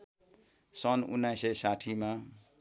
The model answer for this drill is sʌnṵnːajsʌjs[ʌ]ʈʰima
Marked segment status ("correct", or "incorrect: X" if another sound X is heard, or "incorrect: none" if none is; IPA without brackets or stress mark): incorrect: a